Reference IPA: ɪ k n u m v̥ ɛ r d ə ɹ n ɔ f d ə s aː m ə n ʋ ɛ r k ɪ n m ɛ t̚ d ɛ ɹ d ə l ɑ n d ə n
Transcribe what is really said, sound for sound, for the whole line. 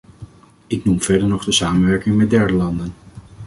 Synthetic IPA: ɪ k n u m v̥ ɛ ɹ d ə ɹ n ɔ χ d ə s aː m ə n ʋ ɛ ɹ k ɪ ŋ m ɛ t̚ d ɛ ɹ d ə l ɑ n d ə n